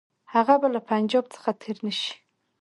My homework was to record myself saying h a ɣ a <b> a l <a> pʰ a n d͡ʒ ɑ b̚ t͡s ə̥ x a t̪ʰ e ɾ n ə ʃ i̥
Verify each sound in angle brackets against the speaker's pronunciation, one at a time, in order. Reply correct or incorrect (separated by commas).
correct, correct